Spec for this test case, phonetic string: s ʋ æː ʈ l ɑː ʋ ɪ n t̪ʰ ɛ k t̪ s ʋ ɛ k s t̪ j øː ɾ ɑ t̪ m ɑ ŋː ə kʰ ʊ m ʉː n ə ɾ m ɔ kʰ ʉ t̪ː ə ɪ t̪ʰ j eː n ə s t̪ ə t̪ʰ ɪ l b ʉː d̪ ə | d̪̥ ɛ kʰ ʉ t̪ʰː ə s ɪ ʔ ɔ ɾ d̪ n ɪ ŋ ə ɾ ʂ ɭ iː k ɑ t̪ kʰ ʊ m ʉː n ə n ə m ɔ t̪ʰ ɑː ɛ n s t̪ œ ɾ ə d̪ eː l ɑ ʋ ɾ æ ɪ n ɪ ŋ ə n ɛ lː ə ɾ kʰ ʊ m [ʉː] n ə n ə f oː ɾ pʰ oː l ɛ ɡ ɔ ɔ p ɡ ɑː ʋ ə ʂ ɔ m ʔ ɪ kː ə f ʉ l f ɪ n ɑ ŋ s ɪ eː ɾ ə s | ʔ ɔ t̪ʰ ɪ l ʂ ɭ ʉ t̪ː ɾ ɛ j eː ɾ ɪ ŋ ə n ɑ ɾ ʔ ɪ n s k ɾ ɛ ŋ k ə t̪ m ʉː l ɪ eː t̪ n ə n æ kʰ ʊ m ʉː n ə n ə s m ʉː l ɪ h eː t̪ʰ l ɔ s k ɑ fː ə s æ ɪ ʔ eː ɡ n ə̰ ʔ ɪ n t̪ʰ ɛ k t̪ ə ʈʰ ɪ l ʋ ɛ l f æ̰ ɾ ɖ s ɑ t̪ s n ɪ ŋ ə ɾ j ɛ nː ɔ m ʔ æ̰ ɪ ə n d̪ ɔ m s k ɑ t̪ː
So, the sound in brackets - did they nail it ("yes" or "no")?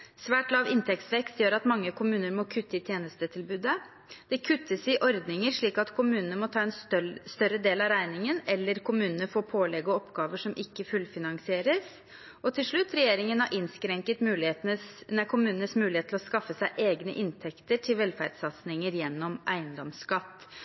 yes